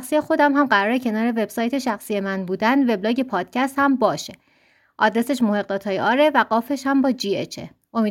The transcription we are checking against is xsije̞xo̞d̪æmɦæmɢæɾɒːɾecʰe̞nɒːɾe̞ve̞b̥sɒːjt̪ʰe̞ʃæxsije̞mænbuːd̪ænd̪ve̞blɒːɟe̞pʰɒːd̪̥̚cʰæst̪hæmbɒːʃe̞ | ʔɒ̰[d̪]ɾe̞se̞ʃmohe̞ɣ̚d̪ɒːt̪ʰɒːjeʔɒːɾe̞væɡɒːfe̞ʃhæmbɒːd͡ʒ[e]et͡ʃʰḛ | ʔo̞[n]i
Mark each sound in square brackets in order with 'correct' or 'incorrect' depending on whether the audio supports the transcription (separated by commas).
correct, incorrect, incorrect